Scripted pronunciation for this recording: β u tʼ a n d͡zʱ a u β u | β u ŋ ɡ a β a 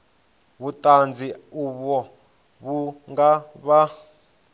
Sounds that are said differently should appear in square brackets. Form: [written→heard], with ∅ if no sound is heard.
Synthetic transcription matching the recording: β u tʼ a n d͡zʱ [a→i] u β [u→ɔ] | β u ŋ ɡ a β a